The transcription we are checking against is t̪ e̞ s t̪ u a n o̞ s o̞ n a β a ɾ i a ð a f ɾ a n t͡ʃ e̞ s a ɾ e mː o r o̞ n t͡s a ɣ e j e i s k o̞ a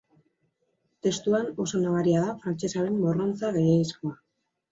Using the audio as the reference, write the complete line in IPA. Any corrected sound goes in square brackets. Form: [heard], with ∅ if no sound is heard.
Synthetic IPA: t̪ e̞ s t̪ u a n o̞ s o̞ n a β a ɾ i a ð a f ɾ a n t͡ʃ e̞ s a ɾ e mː o r o̞ n t͡s a ɣ e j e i s k o̞ a

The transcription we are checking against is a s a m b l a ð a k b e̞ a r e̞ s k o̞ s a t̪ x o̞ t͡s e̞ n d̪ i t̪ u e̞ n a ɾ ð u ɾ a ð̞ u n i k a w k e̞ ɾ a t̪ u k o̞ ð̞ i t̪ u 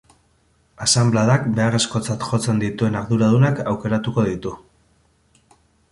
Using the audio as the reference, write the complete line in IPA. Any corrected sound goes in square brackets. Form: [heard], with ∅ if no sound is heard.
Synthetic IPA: a s a m b l a ð a k b e̞ a r e̞ s k o̞ [t͡s] a t̪ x o̞ t͡s e̞ n d̪ i t̪ u e̞ n a ɾ ð u ɾ a ð̞ u n [a] k a w k e̞ ɾ a t̪ u k o̞ ð̞ i t̪ u

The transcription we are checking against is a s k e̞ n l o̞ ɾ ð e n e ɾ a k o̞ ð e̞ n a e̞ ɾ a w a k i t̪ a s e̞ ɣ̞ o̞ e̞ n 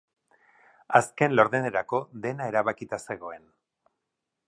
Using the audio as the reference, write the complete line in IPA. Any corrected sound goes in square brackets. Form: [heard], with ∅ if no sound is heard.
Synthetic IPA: a s k e̞ n l o̞ ɾ ð e n e ɾ a k o̞ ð e̞ n a e̞ ɾ a [β] a k i t̪ a s e̞ ɣ̞ o̞ e̞ n

